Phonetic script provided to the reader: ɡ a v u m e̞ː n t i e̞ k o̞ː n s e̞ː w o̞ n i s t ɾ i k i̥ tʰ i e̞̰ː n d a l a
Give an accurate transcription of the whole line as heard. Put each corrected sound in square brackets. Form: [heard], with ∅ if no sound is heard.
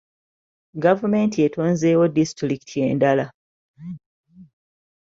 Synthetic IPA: ɡ a v u m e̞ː n t i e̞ [t] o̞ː n [z] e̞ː w o̞ [d] i s t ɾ i k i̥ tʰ i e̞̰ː n d a l a